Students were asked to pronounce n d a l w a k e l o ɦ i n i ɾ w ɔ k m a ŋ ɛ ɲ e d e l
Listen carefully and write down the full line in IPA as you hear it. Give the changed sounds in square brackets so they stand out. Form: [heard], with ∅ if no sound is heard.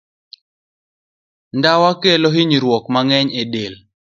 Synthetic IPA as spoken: n d a [∅] w a k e l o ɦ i [ɲ] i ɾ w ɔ k m a ŋ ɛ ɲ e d e l